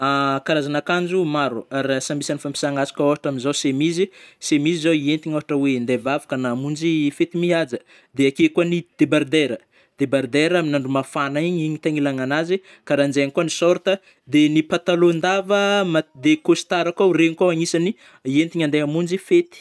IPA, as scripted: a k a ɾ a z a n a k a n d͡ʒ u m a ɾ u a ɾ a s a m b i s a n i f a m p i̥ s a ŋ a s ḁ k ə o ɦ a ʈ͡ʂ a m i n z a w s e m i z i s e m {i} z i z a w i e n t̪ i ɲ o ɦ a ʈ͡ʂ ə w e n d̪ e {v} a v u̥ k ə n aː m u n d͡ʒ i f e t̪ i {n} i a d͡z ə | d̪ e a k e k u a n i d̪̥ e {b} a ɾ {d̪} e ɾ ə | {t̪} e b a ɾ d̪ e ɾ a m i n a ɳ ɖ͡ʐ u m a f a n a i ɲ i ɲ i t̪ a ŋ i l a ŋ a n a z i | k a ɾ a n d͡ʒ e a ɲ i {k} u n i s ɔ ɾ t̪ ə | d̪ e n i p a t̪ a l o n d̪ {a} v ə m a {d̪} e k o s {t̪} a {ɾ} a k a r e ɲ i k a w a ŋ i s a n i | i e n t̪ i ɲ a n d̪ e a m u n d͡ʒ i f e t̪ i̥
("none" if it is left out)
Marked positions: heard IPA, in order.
i, v, m, b, d̪, d̪, k, a, d̪, t̪, ɾ

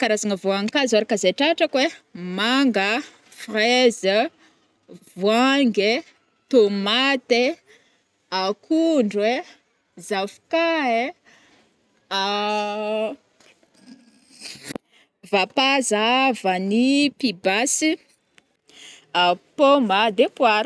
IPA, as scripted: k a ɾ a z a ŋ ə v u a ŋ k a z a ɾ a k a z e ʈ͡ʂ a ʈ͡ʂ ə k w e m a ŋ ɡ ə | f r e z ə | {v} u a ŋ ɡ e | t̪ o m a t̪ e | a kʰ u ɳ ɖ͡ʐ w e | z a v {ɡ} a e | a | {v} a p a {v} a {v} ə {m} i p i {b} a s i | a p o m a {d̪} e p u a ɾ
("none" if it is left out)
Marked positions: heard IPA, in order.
v, k, v, z, v, n, b, d̪

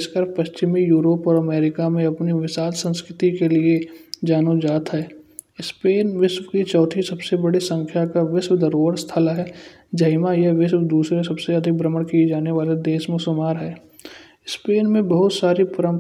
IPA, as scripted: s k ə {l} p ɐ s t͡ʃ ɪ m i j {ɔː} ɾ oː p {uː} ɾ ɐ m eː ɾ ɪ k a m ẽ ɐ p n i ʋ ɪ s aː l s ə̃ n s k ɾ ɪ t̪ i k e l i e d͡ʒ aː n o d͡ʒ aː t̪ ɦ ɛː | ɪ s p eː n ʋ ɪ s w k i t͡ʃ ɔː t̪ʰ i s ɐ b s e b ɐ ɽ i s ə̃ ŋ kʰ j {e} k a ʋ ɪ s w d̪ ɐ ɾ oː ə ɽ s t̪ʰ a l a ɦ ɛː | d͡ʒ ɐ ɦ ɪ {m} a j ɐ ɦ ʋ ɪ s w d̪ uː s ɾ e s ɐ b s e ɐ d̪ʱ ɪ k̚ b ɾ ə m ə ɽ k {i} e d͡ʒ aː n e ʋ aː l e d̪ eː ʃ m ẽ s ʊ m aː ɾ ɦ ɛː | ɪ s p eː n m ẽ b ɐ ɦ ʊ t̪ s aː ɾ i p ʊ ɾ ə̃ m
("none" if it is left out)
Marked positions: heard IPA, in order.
ɾ, uː, ɔː, a, m, i

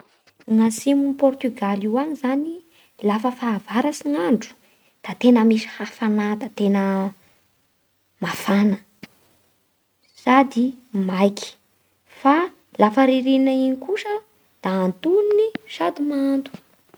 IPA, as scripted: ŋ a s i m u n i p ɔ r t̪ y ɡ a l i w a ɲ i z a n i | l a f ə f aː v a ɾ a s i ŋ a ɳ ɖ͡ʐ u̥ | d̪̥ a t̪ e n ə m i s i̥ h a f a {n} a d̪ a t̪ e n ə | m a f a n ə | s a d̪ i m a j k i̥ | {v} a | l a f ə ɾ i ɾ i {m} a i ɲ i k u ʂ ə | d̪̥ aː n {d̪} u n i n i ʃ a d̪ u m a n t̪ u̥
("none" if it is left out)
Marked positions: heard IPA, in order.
n, f, n, t̪

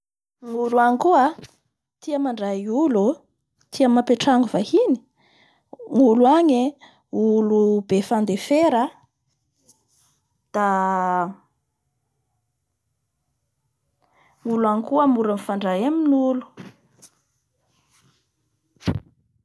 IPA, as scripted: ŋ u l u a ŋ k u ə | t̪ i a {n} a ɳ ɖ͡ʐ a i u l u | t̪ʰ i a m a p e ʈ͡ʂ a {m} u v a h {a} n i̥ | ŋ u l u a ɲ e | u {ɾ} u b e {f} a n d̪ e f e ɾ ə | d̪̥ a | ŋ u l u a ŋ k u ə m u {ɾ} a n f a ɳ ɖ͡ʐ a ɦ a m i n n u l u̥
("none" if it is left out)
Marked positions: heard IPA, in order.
m, ŋ, i, l, f, ɾ

